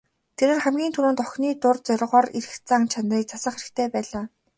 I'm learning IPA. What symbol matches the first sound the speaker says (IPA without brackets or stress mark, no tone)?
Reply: t̪ʰ